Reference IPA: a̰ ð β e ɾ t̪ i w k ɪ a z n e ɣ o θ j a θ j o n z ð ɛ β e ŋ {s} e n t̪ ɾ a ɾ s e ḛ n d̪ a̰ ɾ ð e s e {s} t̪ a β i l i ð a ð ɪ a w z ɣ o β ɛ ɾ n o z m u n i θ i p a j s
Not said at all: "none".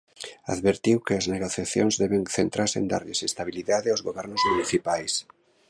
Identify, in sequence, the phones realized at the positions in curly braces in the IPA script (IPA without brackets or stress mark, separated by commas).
θ, s